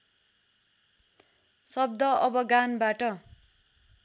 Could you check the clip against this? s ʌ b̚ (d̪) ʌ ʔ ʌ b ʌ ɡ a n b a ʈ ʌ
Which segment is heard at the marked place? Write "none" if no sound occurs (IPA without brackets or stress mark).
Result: d̪